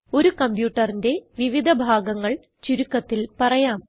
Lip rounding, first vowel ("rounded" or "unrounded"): rounded